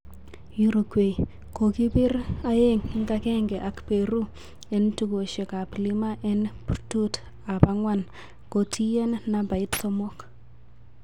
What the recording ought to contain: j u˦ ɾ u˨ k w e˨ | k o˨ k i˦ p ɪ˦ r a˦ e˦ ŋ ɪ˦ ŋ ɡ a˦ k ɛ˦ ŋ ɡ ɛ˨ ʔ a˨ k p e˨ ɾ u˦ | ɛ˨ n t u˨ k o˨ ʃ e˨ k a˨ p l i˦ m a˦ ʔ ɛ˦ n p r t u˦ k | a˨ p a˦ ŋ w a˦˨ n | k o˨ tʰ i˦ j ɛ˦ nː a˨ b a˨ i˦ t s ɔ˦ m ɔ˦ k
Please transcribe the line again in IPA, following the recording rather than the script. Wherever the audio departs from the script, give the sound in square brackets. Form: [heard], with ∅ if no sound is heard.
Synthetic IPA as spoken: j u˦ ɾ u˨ k w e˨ | k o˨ k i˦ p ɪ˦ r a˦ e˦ ŋ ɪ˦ ŋ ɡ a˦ k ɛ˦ ŋ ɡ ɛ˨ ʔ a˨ k p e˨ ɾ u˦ | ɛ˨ n t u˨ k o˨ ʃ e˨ k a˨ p l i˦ m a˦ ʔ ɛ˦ n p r t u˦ [t] | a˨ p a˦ ŋ w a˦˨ n | k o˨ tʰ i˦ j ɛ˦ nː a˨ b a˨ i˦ t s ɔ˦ m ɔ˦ k